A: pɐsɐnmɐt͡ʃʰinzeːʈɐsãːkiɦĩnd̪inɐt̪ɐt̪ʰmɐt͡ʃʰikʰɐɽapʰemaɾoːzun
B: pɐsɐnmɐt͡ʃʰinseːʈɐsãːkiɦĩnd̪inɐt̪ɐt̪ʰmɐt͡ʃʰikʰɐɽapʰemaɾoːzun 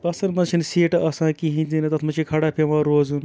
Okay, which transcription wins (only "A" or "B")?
B